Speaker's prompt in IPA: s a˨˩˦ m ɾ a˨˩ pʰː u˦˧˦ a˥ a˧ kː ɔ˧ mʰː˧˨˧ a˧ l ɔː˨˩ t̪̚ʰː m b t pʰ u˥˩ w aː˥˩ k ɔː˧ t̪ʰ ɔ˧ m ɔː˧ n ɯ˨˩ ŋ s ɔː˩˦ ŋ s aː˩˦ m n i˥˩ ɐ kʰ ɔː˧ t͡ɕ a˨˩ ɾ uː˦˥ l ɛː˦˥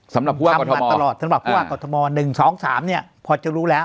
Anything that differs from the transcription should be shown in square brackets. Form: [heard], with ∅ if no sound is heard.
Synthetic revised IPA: s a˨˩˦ m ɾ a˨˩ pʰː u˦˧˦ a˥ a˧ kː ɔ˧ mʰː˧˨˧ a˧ l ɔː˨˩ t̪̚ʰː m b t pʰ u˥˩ w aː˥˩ k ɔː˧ t̪ʰ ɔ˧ m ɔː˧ n ɯ˨˩ ŋ s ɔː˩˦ ŋ s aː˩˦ m n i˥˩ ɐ [pʰ] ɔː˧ t͡ɕ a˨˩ ɾ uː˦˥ l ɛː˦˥